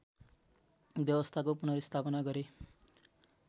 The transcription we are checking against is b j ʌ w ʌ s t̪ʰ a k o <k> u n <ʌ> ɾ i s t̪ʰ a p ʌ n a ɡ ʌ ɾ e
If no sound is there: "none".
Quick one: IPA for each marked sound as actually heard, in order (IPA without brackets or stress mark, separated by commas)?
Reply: p, ʌ